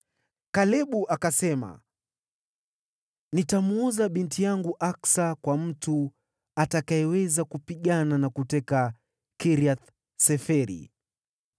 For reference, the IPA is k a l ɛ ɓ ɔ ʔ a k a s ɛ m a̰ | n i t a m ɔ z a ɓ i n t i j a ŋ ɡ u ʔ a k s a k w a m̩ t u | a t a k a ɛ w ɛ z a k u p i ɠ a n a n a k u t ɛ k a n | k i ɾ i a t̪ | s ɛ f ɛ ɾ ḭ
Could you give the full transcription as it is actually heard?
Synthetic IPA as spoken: k a l ɛ ɓ u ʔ a k a s ɛ m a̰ | n i t a m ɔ z a ɓ i n t i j a ŋ ɡ u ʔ a k s a k w a m̩ t u | a t a k a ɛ w ɛ z a k u p i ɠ a n a n a k u t ɛ k a | k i ɾ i a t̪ | s ɛ f ɛ ɾ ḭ